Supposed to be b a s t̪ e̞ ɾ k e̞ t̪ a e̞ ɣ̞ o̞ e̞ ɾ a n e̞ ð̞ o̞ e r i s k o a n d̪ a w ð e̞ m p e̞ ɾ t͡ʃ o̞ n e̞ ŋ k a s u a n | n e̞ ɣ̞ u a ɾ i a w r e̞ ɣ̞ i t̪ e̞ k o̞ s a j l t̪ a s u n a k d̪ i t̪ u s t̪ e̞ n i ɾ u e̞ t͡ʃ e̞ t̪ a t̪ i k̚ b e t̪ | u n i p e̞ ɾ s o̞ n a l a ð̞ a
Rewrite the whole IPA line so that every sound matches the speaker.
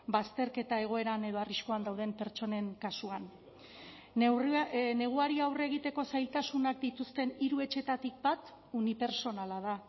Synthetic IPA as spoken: b a s t̪ e̞ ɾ k e̞ t̪ a e̞ ɣ̞ o̞ e̞ ɾ a n e̞ ð̞ o̞ a r i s k o a n d̪ a w ð e̞ m p e̞ ɾ t͡ʃ o̞ n e̞ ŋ k a s u a n | n e̞ ɣ̞ u a ɾ i a w r e̞ ɣ̞ i t̪ e̞ k o̞ s a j l t̪ a s u n a k d̪ i t̪ u s t̪ e̞ n i ɾ u e̞ t͡ʃ e̞ t̪ a t̪ i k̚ b a t̪ | u n i p e̞ ɾ s o̞ n a l a ð̞ a